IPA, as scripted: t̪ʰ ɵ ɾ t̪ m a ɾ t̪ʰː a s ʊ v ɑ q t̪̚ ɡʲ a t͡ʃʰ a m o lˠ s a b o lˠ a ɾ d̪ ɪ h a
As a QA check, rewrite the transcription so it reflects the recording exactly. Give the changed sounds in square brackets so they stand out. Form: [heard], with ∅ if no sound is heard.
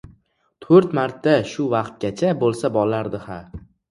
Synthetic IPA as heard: t̪ʰ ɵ ɾ t̪ m a ɾ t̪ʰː a [ʃ] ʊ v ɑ q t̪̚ ɡʲ a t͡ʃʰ a [b] o lˠ s a b [ɒ] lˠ a ɾ d̪ ɪ h a